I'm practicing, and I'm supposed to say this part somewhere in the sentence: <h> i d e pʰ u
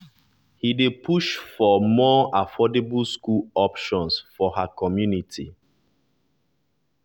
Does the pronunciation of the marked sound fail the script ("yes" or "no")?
no